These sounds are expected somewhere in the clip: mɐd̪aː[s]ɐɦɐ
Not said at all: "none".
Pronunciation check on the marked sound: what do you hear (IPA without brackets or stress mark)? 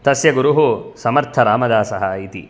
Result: s